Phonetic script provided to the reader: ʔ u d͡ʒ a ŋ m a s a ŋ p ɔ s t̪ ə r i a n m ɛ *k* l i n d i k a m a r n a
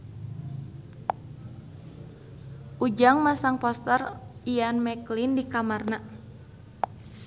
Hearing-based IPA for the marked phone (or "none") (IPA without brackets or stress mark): k